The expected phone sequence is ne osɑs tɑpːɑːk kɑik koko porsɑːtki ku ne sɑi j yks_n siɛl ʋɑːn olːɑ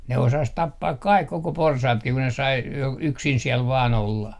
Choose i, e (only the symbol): i